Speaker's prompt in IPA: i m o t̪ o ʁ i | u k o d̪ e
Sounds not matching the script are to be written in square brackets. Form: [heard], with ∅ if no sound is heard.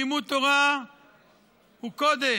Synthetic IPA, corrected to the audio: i m [u] t̪ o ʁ [a] | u k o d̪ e